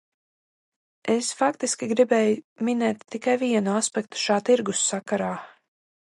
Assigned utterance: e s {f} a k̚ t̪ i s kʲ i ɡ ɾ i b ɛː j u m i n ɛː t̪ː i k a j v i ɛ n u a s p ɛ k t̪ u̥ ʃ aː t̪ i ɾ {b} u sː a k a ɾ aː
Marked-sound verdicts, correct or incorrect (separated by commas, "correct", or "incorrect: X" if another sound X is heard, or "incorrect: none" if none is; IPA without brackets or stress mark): correct, incorrect: ɡ